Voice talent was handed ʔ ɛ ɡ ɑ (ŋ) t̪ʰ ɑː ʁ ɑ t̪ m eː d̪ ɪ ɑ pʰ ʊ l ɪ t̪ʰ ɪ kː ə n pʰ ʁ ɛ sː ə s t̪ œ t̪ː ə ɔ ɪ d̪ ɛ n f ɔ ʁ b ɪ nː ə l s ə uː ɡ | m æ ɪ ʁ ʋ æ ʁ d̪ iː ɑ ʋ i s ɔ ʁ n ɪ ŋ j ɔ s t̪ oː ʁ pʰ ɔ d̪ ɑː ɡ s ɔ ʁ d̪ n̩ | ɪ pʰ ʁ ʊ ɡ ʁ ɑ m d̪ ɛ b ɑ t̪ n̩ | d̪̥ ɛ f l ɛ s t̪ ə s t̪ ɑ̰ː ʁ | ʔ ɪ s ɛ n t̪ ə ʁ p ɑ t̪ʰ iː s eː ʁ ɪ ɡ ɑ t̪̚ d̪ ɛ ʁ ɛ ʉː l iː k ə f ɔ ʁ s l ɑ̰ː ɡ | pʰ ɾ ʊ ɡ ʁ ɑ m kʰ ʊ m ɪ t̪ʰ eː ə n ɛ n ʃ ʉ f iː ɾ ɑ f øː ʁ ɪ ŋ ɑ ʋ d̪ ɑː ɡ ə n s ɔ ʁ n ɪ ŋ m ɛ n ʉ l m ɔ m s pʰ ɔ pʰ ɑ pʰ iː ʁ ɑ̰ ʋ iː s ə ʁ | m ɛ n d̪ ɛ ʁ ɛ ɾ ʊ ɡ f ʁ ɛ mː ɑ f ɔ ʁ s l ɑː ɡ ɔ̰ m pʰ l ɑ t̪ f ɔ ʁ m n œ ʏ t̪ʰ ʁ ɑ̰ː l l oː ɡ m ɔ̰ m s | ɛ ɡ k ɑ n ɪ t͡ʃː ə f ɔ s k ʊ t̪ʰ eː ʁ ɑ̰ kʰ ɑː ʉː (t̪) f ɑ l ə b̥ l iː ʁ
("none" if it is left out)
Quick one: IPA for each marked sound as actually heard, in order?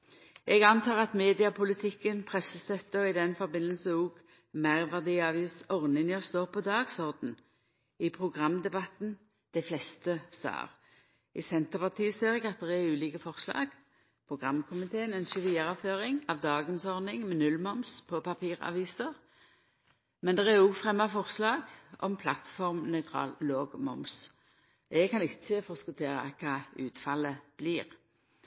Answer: n, t̪

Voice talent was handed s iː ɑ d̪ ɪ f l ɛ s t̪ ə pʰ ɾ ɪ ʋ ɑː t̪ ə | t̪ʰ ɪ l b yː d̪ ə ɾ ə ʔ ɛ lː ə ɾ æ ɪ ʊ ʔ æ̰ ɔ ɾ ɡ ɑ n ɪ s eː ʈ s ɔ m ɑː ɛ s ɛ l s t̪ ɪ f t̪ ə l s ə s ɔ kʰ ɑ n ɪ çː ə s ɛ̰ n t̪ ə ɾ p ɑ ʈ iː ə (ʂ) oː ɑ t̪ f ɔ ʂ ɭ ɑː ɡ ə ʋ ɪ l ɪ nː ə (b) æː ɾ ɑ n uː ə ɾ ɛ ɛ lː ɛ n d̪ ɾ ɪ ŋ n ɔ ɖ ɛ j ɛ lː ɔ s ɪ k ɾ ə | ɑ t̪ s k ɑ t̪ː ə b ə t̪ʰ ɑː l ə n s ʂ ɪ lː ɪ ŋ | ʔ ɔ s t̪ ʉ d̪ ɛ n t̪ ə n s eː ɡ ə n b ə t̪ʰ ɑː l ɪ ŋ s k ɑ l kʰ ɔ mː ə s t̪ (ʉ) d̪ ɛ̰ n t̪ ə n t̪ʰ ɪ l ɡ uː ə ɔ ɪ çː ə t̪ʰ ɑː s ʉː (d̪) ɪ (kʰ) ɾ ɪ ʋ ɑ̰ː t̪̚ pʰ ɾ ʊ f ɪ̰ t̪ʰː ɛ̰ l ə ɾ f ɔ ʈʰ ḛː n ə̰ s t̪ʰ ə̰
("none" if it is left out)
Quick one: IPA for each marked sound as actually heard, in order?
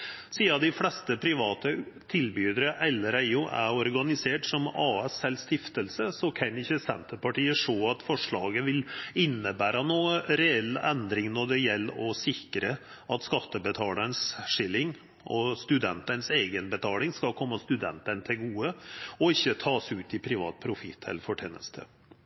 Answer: ʂ, b, ʉ, t̪, pʰ

